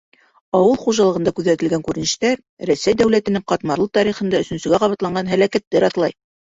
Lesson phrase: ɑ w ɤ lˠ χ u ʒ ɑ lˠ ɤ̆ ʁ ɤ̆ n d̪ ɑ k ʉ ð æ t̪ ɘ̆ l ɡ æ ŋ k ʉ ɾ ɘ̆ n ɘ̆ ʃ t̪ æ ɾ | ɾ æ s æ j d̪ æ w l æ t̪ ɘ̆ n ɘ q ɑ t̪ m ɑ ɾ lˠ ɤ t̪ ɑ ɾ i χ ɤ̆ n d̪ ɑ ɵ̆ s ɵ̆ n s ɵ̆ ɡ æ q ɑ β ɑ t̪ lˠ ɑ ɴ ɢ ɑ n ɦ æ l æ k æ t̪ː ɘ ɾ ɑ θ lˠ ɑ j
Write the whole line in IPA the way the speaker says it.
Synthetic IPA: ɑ w ɤ lˠ χ u ʒ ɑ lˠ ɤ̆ ʁ ɤ̆ n d̪ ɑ k ʉ ð æ t̪ ɘ̆ l ɡ æ ŋ k ʉ ɾ ɘ̆ n ɘ̆ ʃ t̪ æ ɾ | ɾ æ s æ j d̪ æ w l æ t̪ ɘ̆ n ɘ q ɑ t̪ m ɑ ɾ lˠ ɤ t̪ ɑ ɾ i χ ɤ̆ n d̪ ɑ ɵ̆ s ɵ̆ n s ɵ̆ ɡ æ q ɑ β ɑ t̪ lˠ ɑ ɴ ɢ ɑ n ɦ æ l æ k æ t̪ː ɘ ɾ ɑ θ lˠ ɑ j